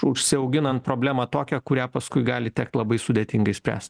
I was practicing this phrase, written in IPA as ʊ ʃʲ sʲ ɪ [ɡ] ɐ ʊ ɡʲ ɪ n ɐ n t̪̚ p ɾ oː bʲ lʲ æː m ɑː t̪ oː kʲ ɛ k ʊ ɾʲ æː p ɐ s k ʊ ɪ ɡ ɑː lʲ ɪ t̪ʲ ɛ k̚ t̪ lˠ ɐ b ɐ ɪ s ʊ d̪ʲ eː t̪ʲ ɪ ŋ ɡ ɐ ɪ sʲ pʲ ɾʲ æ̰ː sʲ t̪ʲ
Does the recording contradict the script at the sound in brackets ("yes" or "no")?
yes